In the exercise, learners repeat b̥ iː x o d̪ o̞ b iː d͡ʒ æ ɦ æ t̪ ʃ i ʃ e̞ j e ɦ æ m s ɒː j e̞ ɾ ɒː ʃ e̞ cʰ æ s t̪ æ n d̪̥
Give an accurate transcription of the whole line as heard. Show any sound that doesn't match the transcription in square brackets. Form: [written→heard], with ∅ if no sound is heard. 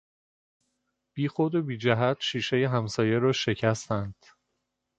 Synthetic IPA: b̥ iː x o d̪ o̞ b iː d͡ʒ æ ɦ æ t̪ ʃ [i→iː] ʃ e̞ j e ɦ æ m s ɒː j e̞ ɾ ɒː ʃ e̞ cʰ æ s t̪ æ n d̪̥